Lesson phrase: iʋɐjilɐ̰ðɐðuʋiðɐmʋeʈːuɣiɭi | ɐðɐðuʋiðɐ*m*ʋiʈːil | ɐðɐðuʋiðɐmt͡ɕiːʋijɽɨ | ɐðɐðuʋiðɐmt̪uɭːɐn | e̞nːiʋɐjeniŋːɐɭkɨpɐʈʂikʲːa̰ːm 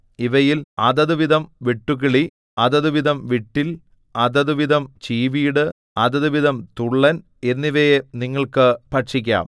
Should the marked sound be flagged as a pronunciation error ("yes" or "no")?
no